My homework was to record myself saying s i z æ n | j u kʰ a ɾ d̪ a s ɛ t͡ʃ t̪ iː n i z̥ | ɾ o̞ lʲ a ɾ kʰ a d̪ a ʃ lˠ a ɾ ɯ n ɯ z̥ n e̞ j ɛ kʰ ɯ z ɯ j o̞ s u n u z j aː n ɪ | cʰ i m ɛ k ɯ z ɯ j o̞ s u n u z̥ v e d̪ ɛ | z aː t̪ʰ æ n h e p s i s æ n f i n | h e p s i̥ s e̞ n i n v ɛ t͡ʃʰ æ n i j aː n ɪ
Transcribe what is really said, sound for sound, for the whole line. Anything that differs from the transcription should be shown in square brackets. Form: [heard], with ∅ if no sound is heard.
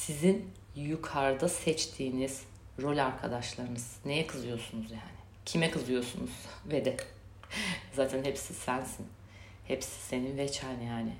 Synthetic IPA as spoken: s i z [i] n | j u kʰ a ɾ d̪ a s ɛ t͡ʃ [t̪ʰ] iː n i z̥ | ɾ o̞ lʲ a ɾ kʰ a d̪ a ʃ lˠ a ɾ ɯ n ɯ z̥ n e̞ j ɛ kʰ ɯ z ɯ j o̞ s u n u z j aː n ɪ | cʰ i m ɛ k ɯ z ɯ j o̞ s u n u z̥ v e d̪ ɛ | z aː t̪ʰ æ n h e p s i s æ n [s] i n | h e p s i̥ s e̞ n i n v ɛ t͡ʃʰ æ n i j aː n ɪ